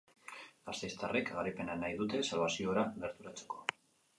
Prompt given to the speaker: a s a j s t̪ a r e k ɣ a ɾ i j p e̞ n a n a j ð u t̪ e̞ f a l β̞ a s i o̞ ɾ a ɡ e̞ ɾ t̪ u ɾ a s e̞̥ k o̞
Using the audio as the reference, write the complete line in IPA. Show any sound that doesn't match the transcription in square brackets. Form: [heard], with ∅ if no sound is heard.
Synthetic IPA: a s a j s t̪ a r e k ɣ a ɾ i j p e̞ n a n a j ð u t̪ e̞ [s] a l β̞ a s i o̞ ɾ a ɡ e̞ ɾ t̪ u ɾ a [t͡s] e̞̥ k o̞